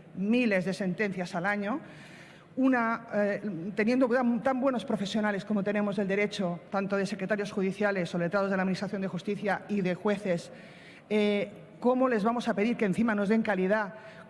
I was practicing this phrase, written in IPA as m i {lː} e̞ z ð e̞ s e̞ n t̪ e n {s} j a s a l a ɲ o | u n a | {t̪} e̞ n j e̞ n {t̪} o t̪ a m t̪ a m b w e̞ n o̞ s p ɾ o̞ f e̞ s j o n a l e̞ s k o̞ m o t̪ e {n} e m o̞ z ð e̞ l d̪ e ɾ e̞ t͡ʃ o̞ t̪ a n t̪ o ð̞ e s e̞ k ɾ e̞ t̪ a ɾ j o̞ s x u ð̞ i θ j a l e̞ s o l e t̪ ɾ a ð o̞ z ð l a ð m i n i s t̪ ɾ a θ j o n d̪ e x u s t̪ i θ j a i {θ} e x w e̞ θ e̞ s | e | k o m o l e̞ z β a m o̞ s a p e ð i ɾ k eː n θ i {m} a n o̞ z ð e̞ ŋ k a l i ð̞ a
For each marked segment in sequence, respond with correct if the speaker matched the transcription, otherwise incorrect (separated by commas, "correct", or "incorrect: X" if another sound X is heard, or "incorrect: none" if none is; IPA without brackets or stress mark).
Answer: incorrect: l, incorrect: θ, correct, incorrect: d̪, correct, incorrect: ð, correct